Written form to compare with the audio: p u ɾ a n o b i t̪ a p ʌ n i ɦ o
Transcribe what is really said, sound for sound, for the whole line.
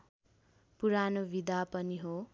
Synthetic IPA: p u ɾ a n o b i d̪ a p ʌ n i ɦ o